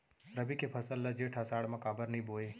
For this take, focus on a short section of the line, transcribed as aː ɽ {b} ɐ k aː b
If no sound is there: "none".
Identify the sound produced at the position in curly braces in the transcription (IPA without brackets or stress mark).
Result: m